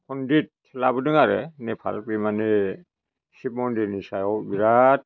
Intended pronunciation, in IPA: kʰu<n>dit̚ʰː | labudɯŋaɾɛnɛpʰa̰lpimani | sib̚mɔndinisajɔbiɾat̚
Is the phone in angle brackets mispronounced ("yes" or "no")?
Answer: no